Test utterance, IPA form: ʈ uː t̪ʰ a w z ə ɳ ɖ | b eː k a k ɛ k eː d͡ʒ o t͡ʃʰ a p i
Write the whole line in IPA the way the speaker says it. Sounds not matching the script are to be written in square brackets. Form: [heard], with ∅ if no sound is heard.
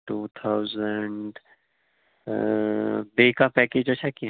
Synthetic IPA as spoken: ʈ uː t̪ʰ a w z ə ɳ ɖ | b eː k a [p] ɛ k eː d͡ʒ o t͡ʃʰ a [k] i